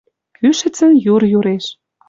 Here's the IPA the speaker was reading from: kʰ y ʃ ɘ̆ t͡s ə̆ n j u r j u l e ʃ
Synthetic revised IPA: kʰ y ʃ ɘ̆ t͡s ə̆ n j u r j u ɾ e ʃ